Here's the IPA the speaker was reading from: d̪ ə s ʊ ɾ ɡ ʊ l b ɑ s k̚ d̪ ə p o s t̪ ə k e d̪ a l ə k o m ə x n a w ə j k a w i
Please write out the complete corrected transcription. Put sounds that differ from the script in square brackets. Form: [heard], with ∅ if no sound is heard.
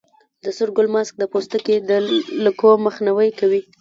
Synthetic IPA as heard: d̪ ə s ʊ ɾ ɡ ʊ l [m] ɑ s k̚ d̪ ə p o s t̪ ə k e d̪ [ə] l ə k o m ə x n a w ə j k a w i